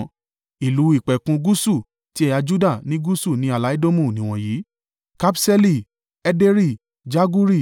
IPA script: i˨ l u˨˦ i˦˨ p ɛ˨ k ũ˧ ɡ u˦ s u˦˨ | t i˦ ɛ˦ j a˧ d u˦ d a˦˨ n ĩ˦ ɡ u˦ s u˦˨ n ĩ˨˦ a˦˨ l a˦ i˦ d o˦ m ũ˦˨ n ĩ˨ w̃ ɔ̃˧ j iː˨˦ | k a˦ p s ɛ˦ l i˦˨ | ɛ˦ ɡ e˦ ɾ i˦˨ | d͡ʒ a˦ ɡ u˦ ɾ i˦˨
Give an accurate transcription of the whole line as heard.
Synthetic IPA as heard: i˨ l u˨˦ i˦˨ k͡p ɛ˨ k ũ˧ ɡ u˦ s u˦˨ | t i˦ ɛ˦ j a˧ d͡ʒ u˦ d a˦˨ n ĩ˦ ɡ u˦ s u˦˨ n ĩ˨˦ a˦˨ l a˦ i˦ d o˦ m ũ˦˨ n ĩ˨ w̃ ɔ̃˧ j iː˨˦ | k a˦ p s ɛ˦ l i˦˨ | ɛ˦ d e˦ ɾ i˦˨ | d͡ʒ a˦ ɡ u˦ ɾ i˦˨